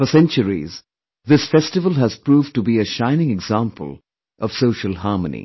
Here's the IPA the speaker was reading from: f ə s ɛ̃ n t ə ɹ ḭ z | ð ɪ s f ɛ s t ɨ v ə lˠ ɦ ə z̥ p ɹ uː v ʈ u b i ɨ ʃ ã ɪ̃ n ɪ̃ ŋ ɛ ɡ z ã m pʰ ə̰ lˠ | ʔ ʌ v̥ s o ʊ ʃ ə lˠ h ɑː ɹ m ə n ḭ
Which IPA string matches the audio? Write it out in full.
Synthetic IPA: f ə s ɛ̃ n t͡ʃ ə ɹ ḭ z | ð ɪ s f ɛ s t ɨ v ə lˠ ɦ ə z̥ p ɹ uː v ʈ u b i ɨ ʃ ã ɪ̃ n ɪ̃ ŋ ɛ ɡ z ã m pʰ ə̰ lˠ | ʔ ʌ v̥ s o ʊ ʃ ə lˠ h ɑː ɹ m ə n ḭ